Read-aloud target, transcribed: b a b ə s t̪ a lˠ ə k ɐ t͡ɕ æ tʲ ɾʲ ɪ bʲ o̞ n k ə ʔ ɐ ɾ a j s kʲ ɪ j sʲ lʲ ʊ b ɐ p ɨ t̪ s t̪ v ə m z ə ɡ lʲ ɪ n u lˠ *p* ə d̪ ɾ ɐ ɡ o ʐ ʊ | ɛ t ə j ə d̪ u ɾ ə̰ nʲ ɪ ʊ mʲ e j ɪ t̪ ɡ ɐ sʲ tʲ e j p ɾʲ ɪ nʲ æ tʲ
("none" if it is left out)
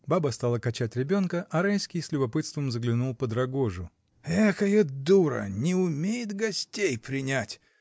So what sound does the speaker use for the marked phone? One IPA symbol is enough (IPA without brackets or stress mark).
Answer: p